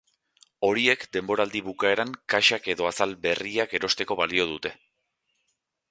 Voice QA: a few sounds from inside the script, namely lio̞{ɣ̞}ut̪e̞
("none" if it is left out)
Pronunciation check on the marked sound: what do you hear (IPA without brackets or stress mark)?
ð̞